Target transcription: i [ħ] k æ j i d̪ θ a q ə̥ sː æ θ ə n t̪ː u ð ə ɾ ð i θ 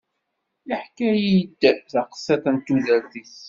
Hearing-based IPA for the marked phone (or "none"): ħ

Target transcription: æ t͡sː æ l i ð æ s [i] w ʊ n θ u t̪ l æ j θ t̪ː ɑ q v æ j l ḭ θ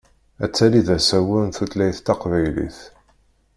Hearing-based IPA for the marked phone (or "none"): æ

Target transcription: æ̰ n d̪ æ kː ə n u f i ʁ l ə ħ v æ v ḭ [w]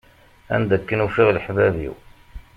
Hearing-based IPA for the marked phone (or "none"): w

